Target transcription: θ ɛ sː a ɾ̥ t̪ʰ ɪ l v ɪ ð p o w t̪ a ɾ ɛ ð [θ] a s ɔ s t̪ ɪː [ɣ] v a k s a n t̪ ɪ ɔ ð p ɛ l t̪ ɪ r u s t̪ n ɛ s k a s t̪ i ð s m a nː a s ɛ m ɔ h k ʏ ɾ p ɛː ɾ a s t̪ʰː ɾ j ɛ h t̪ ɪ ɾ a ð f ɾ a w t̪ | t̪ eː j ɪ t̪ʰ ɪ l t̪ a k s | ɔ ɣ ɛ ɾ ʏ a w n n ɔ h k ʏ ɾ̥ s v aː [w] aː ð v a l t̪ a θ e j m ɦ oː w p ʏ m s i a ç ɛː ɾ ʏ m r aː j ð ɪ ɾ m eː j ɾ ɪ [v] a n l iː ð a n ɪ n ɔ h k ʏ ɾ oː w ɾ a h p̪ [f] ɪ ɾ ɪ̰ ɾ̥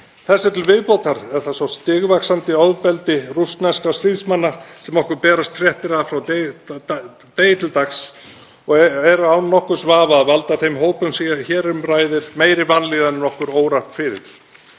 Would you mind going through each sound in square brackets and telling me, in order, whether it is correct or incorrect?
correct, correct, incorrect, correct, correct

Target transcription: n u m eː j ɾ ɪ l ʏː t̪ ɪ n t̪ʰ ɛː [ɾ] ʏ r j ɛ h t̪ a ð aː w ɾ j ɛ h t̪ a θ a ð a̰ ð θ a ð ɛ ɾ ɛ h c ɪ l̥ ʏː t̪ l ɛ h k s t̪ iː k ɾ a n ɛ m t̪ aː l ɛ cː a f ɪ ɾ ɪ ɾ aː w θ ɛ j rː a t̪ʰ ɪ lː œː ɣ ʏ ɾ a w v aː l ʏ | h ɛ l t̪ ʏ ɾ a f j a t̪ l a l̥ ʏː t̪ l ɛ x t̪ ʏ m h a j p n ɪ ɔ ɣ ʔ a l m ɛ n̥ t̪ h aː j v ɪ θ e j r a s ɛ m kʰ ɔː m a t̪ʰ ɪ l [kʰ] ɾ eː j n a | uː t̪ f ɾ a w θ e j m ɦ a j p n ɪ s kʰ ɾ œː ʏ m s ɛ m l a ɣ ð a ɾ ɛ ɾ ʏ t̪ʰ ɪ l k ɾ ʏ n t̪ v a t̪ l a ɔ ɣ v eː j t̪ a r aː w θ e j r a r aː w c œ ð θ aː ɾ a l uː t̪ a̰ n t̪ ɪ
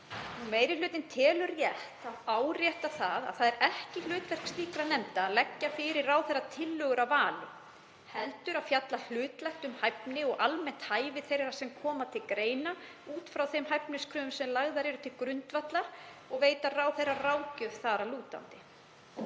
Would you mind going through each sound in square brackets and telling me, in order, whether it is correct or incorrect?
incorrect, incorrect

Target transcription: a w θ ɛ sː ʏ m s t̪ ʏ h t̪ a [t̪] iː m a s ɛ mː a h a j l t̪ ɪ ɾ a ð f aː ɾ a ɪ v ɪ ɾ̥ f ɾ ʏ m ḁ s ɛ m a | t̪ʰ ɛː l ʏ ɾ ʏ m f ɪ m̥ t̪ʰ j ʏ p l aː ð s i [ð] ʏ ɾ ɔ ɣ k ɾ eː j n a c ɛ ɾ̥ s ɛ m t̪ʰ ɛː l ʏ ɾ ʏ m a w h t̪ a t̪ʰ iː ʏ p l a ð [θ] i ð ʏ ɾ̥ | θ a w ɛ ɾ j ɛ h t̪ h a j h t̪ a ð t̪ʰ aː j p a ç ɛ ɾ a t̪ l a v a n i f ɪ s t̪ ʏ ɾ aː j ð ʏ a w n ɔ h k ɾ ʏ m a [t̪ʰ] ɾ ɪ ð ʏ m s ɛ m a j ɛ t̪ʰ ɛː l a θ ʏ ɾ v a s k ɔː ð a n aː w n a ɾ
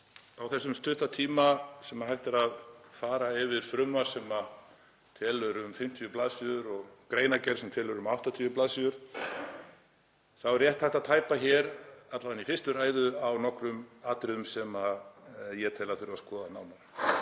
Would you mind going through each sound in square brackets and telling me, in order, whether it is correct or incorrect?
incorrect, correct, incorrect, incorrect

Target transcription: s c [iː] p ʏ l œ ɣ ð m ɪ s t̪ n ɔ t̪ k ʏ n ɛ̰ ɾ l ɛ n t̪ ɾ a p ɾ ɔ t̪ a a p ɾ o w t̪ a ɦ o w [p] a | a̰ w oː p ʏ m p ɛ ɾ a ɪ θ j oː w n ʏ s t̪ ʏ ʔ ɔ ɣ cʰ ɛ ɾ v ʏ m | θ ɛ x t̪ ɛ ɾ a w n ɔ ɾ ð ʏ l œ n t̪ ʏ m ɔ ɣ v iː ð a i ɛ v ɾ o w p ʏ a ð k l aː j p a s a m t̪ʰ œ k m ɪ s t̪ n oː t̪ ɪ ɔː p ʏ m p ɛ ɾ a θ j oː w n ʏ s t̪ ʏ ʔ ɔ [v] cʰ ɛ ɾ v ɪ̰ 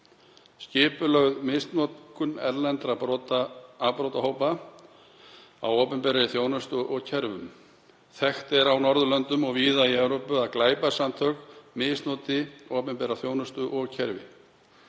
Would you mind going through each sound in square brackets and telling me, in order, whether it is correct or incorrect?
incorrect, correct, incorrect

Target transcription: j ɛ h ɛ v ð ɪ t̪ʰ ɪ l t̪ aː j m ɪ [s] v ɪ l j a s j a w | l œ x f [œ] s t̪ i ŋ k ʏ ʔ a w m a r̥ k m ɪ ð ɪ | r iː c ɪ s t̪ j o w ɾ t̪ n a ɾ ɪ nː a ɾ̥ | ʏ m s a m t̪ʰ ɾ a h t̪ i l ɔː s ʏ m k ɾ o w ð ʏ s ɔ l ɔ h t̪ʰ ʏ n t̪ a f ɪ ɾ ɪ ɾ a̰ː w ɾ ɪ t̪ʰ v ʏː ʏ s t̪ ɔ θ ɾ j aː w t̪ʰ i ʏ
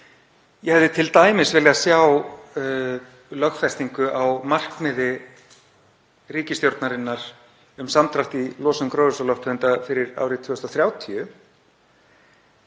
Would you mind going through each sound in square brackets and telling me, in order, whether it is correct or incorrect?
correct, incorrect

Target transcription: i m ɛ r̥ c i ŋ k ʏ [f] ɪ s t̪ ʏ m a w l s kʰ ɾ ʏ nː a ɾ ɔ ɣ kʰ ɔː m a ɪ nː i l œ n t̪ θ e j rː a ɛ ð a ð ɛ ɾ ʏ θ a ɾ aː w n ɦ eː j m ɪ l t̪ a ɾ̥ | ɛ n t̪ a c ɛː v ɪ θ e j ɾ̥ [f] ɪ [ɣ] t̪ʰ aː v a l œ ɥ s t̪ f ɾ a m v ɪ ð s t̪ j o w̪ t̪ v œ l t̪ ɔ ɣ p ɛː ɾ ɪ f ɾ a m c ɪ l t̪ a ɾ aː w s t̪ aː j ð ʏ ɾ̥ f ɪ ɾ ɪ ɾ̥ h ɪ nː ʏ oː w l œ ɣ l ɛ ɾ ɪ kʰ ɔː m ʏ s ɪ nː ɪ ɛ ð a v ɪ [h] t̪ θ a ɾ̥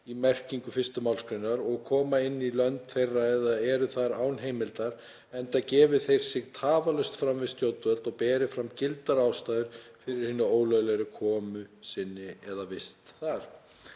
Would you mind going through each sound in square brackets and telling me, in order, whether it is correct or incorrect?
correct, incorrect, correct, incorrect

